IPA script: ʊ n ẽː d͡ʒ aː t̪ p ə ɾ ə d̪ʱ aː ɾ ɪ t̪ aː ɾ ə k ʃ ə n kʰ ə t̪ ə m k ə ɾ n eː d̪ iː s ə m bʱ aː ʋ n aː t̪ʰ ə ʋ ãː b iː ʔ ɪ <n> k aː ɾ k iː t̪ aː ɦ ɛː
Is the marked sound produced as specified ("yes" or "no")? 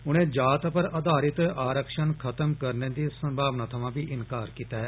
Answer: yes